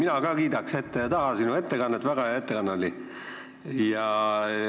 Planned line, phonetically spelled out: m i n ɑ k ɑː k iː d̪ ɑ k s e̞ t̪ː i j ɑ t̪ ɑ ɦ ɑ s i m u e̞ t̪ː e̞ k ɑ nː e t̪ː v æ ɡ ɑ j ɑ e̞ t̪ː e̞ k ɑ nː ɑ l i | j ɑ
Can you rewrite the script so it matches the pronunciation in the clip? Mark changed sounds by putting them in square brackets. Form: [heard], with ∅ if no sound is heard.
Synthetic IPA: m i n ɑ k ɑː k iː d̪ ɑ k s e̞ t̪ː [e] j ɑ t̪ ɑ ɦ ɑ s i [n] u e̞ t̪ː e̞ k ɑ nː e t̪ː v æ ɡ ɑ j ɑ e̞ t̪ː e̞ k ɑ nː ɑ l i | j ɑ